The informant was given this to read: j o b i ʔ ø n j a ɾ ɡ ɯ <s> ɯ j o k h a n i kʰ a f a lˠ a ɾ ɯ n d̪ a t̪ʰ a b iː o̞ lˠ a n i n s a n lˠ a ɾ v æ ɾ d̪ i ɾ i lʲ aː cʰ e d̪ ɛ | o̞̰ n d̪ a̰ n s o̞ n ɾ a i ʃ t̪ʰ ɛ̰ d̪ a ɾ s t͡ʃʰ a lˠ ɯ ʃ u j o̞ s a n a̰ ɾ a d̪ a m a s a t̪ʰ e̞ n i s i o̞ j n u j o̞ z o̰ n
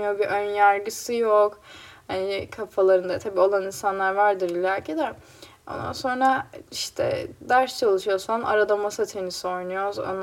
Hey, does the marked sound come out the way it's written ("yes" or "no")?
yes